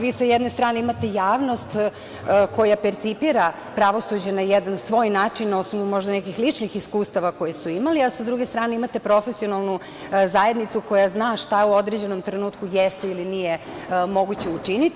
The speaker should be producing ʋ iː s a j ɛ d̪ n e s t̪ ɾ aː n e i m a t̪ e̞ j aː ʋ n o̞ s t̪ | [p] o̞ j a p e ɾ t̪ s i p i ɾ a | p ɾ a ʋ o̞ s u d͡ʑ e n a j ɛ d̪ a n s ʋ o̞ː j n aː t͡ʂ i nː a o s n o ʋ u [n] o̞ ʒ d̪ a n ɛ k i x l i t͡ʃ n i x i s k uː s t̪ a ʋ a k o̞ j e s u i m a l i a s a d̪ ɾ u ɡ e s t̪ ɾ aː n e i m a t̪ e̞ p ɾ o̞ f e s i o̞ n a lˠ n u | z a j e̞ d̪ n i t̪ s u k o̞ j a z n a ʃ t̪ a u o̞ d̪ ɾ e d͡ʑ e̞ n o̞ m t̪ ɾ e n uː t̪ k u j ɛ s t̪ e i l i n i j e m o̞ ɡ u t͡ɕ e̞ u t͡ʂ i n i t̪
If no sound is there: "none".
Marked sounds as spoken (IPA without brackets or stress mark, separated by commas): k, m